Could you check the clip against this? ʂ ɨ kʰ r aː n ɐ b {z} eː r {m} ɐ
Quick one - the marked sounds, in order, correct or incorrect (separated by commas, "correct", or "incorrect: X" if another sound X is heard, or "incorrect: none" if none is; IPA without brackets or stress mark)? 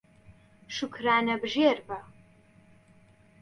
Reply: incorrect: ʒ, incorrect: b